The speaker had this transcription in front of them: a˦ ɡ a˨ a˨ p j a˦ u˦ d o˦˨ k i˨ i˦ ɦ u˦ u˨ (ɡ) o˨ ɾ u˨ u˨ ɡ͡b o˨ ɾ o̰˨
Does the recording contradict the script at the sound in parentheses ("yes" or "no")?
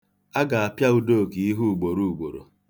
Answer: yes